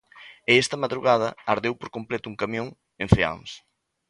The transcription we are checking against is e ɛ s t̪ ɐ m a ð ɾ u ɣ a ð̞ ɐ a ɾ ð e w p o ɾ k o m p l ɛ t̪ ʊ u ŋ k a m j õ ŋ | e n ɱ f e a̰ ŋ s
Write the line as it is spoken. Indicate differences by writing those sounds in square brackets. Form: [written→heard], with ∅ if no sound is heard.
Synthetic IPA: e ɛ s t̪ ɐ m a ð ɾ u ɣ a ð̞ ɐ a ɾ ð e w p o ɾ k o m p l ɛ t̪ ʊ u ŋ k a m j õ ŋ | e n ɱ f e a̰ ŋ s